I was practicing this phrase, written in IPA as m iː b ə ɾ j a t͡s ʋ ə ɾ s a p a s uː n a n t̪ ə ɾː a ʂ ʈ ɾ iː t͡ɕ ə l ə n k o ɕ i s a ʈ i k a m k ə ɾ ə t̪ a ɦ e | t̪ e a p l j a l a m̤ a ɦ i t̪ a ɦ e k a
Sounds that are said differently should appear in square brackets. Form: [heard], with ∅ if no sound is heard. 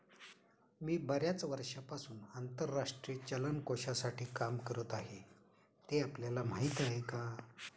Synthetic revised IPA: m iː b ə ɾ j a t͡s ʋ ə ɾ [ʂ] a p a s uː n a n t̪ ə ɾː a ʂ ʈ ɾ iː t͡ɕ ə l ə n k o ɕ [a] s a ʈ [iː] k a m k ə ɾ ə t̪ a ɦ e | t̪ e a p l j a l a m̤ a ɦ i t̪ a ɦ e k a

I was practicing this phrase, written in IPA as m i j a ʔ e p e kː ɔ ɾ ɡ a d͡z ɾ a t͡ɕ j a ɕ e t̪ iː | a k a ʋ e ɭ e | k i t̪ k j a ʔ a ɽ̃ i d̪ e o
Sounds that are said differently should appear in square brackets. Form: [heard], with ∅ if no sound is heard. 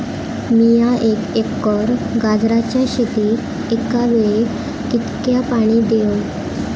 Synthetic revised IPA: m i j a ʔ e [k] e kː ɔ ɾ ɡ a d͡z ɾ a t͡ɕ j a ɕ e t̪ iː | [e] k a ʋ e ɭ e | k i t̪ k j a [p] a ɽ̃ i d̪ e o

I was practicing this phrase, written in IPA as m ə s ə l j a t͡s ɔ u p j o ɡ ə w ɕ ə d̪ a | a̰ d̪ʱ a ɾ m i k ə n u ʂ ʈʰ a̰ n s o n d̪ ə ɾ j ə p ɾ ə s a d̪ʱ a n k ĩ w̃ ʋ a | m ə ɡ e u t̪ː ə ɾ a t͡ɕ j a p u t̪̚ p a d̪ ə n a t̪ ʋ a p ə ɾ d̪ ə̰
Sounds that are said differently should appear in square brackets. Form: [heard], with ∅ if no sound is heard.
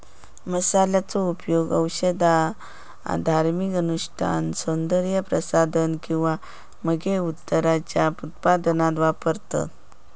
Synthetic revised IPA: m ə s [a] l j a t͡s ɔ u p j o ɡ ə w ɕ ə d̪ a | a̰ d̪ʱ a ɾ m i k ə n u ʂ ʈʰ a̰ n s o n d̪ ə ɾ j ə p ɾ ə s a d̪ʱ [ə] n k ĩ w̃ ʋ a | m ə ɡ e u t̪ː ə ɾ a t͡ɕ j a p u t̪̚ p a d̪ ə n a t̪ ʋ a p ə ɾ [t̪] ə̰

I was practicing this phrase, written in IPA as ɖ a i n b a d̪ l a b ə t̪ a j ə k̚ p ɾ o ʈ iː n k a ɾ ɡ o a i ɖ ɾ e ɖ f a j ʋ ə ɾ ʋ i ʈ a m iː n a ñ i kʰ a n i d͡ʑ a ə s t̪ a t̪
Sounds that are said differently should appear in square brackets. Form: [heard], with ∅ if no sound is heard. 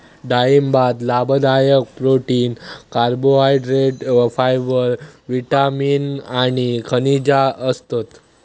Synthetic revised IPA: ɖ a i [m] b a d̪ l a b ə [d̪] a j ə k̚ p ɾ o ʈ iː n k a ɾ [b] o a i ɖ ɾ e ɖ f a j ʋ ə ɾ ʋ i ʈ a m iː n a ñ i kʰ [ə] n i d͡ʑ a ə s t̪ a t̪

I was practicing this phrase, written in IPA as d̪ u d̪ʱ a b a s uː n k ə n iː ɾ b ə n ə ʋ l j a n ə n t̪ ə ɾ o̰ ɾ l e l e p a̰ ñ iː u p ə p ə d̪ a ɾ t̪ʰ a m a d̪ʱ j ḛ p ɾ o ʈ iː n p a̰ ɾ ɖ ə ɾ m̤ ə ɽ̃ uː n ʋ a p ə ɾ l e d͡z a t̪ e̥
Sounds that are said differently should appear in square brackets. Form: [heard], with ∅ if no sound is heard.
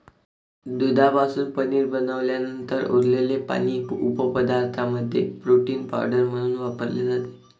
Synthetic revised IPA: d̪ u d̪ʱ a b a s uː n [p] ə n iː ɾ b ə n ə ʋ l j a n ə n t̪ ə ɾ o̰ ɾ l e l e p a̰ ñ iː u p ə p ə d̪ a ɾ t̪ʰ a m [ə] d̪ʱ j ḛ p ɾ o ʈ iː n p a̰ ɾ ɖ ə ɾ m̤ ə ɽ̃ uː n ʋ a p ə ɾ l e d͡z a t̪ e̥

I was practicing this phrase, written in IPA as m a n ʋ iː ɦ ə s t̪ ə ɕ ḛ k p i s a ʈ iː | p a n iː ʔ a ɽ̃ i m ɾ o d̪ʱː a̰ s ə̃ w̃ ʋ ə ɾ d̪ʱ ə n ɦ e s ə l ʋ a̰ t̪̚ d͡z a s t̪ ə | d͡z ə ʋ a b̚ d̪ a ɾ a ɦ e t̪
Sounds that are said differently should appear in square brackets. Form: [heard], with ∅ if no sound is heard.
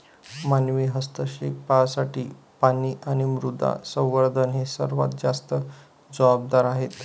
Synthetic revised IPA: m a n ʋ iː ɦ ə s t̪ ə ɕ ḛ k p [a] s a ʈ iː | p a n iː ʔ a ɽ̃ i m ɾ [u] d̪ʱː a̰ s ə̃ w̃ ʋ ə ɾ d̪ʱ ə n ɦ e s ə [ɾ] ʋ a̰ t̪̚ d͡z a s t̪ ə | d͡z ə ʋ a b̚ d̪ a ɾ a ɦ e t̪

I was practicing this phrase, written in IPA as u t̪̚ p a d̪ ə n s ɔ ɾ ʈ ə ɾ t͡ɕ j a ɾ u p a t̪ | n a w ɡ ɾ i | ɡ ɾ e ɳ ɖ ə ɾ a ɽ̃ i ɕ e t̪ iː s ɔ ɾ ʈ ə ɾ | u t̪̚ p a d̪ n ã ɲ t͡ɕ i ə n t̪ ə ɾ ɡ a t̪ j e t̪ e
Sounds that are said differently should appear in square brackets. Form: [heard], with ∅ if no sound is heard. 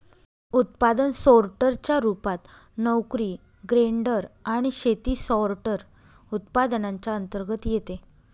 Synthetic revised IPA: u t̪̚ p a d̪ ə n s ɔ ɾ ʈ ə ɾ t͡ɕ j a ɾ u p a t̪ | n [ə] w [k] ɾ i | ɡ ɾ e ɳ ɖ ə ɾ a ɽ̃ i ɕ e t̪ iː s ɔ ɾ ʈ ə ɾ | u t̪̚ p a d̪ n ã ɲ t͡ɕ [a] ə n t̪ ə ɾ ɡ [ə] t̪ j e t̪ e

